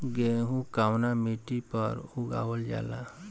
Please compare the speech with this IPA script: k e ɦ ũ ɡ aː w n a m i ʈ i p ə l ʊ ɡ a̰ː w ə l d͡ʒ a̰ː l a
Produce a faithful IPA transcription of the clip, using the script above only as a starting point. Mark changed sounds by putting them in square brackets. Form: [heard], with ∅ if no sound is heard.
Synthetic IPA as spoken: [ɡ] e ɦ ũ [k] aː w n a m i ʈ i p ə [ɾ] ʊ ɡ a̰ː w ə l d͡ʒ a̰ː l a